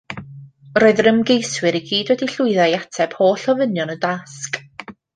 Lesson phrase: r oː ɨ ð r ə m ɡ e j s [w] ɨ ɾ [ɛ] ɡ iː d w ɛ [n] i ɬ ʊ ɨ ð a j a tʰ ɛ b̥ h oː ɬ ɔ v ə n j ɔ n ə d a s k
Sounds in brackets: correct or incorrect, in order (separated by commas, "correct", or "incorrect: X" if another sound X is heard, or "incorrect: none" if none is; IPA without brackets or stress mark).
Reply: correct, incorrect: i, incorrect: d